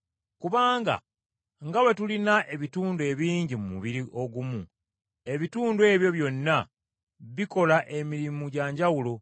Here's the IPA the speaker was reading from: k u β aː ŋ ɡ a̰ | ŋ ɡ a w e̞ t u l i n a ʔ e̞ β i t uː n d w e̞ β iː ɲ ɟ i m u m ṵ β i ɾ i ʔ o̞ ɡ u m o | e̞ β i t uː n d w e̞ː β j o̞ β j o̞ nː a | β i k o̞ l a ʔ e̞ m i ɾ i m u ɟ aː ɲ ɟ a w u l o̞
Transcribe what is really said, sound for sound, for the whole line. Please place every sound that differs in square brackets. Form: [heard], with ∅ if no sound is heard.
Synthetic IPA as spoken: k u β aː ŋ ɡ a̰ | ŋ ɡ a w e̞ t u l i n a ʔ e̞ β i t uː n d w e̞ β iː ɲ ɟ i m u m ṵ β i ɾ i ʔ o̞ ɡ u m [u] | e̞ β i t uː n d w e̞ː β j o̞ β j o̞ nː a | β i k o̞ l a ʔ e̞ m i ɾ i m u ɟ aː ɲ ɟ a w u l o̞